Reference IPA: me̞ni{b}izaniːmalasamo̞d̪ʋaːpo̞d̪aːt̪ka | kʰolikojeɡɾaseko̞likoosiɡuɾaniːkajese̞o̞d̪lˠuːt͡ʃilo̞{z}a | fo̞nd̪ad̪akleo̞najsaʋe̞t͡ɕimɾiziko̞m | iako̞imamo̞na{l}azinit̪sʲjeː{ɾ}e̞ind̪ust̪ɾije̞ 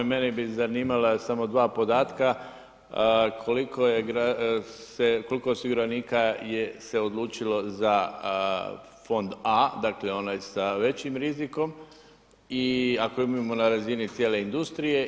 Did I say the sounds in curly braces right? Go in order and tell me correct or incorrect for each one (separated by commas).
correct, correct, incorrect, incorrect